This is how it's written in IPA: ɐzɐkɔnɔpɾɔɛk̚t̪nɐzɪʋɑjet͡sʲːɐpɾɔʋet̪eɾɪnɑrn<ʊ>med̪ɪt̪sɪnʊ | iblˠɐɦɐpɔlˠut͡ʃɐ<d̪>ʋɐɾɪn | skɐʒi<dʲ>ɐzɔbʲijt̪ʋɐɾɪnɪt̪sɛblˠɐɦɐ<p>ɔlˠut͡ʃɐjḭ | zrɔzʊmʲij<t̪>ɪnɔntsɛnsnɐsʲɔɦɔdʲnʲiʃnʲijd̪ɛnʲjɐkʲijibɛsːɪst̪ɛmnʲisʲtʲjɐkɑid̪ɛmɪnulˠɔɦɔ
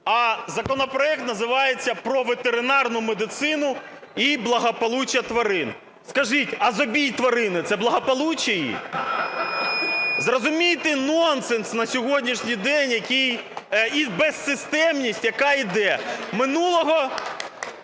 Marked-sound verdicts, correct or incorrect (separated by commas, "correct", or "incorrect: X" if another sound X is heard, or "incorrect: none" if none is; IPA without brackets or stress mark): correct, incorrect: t̪, incorrect: tʲ, correct, correct